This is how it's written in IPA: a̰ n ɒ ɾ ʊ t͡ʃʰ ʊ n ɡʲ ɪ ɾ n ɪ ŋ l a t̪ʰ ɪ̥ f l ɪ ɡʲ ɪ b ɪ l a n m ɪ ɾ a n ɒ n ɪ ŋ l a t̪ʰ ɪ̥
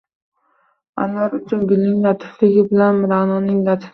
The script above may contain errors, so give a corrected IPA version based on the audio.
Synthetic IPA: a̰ n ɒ ɾ ʊ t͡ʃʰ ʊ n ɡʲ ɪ l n ɪ ŋ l a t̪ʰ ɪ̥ f l ɪ ɡʲ ɪ b ɪ l a n m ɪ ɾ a n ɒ n ɪ ŋ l a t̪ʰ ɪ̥